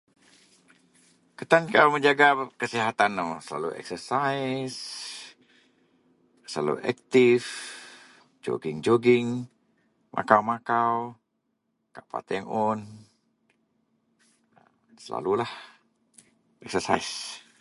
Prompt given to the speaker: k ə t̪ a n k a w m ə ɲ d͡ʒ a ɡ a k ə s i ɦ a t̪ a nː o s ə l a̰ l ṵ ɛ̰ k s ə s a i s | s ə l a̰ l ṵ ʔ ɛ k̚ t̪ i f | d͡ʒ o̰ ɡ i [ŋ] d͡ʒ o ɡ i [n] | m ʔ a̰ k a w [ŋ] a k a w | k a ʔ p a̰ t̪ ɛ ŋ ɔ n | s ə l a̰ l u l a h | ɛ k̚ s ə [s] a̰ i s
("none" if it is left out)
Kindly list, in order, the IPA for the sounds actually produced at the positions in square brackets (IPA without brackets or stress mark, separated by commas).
ŋ, ŋ, m, s